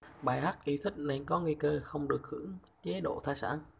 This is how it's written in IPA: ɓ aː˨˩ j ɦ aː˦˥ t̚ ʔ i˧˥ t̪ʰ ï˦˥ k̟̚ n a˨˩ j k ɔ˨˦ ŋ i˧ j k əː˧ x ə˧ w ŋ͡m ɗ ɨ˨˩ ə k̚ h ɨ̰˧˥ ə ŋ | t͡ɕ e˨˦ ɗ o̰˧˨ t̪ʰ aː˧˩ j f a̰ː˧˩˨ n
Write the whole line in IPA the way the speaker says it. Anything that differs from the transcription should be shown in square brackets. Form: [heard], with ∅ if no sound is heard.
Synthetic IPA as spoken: ɓ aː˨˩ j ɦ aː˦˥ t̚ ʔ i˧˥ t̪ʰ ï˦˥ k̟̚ n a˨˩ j k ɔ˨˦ ŋ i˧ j k əː˧ x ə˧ w ŋ͡m ɗ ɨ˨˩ ə k̚ h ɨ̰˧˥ ə ŋ | t͡ɕ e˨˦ ɗ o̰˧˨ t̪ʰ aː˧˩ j [s] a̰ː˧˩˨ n